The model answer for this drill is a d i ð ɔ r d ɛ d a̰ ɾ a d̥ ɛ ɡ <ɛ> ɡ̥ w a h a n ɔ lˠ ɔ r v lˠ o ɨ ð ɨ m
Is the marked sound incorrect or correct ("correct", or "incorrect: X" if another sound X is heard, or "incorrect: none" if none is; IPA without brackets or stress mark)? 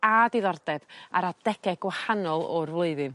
correct